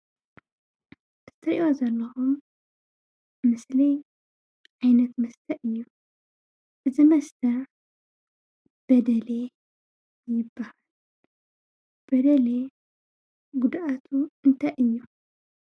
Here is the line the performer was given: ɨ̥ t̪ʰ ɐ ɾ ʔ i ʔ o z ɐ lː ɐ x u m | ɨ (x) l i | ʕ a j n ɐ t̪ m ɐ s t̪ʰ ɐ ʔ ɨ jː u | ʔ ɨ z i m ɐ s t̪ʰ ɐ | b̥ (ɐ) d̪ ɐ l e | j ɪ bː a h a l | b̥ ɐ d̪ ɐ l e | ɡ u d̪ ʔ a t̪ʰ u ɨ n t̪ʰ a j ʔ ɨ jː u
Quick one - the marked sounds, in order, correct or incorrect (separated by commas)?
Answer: incorrect, correct